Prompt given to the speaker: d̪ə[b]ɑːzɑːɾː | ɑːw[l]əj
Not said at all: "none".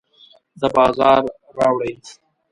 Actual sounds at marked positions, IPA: b, ɽ

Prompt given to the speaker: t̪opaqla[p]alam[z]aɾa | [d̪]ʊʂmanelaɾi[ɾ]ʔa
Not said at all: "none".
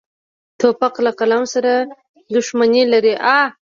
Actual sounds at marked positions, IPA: q, s, d̪, none

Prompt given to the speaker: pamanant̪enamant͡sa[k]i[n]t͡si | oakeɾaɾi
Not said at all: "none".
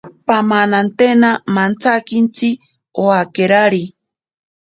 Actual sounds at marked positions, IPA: k, n

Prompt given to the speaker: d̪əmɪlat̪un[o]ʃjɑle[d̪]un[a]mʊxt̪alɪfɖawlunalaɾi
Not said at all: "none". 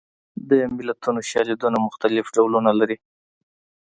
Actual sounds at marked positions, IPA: o, d̪, a

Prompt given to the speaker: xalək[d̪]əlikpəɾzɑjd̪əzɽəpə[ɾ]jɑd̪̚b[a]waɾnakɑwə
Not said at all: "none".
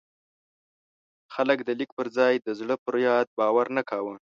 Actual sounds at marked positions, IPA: d̪, ɾ, ɑ

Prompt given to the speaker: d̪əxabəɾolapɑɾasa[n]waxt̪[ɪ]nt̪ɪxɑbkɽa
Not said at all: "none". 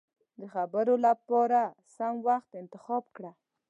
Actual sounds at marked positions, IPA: m, ɪ

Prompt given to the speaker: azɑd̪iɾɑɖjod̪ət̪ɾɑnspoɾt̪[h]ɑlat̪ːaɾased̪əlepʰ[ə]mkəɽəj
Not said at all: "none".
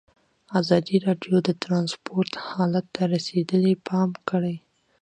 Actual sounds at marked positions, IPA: h, ɑ

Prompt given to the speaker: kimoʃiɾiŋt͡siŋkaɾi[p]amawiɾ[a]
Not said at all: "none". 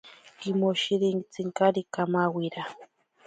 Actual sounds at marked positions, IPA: k, a

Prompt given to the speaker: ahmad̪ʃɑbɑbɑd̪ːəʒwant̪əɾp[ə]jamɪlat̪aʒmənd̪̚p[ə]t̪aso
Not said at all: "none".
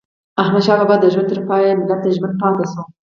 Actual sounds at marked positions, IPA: ɑ, ɑ

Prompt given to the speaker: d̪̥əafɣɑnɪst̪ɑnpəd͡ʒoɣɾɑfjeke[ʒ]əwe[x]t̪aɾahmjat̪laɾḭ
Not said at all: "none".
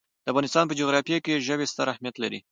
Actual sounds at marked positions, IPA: ʒ, s

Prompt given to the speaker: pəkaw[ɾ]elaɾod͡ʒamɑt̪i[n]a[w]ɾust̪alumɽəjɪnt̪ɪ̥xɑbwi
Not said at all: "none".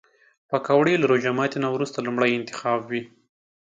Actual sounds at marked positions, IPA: ɽ, n, w

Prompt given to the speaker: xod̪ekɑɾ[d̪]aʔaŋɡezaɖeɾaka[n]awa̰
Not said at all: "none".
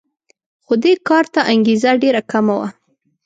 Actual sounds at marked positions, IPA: t̪, m

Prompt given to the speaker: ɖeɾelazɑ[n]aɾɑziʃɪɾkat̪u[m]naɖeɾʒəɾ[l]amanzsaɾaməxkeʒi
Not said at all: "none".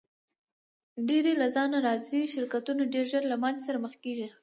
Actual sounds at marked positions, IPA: n, none, l

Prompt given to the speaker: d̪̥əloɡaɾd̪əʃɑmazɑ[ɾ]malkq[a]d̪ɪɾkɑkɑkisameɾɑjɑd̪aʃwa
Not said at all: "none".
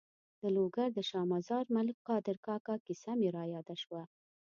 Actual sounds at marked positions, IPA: ɾ, ɑ

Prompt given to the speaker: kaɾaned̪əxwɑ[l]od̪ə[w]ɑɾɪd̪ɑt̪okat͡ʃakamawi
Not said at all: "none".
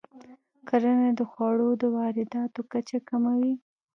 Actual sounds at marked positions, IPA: ɽ, w

